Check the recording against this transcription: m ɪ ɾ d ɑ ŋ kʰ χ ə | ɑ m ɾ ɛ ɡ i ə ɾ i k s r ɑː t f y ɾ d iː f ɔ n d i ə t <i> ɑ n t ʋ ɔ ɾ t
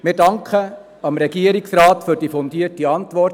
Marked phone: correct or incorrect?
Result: correct